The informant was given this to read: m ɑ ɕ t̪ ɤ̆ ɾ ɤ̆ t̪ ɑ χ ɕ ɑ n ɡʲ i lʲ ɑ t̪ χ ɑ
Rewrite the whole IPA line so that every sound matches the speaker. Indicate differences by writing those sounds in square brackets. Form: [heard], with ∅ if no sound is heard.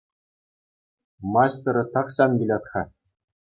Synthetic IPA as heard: m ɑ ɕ t̪ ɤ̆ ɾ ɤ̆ t̪ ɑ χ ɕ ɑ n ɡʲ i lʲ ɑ t̪ χ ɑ

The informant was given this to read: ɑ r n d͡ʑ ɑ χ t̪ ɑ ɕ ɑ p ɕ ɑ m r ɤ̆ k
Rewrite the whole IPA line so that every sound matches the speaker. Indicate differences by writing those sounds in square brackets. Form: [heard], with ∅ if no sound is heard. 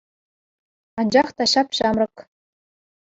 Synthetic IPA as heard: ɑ [∅] n d͡ʑ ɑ χ t̪ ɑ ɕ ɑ p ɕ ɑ m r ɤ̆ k

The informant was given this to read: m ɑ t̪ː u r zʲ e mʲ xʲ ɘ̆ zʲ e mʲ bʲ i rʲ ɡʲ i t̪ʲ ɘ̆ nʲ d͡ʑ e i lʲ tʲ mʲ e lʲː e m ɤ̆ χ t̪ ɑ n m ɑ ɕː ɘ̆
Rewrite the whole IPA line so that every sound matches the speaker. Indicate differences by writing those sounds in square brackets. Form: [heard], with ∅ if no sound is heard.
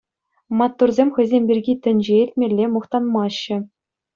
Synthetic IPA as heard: m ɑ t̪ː u r zʲ e mʲ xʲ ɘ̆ zʲ e mʲ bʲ i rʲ ɡʲ i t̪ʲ ɘ̆ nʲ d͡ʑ e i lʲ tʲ mʲ e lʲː e m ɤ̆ χ t̪ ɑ n m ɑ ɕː ɘ̆

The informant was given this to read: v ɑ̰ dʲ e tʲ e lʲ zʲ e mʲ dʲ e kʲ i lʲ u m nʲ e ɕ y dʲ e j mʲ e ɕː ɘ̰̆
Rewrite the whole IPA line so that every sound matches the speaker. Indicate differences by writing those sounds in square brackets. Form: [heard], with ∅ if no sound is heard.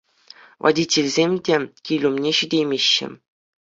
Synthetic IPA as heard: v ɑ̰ dʲ [i] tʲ e lʲ zʲ e mʲ dʲ e kʲ i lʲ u m nʲ e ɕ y dʲ e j mʲ e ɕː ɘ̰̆

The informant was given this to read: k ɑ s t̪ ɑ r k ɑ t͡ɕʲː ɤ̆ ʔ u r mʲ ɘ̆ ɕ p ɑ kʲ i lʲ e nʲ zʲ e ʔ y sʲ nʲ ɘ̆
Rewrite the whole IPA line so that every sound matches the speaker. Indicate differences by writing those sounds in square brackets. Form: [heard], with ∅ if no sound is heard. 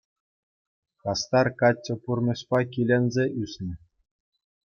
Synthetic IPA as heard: k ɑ s t̪ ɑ r k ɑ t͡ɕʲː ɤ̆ [p] u r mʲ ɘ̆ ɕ p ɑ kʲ i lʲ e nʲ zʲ e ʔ y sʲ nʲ ɘ̆

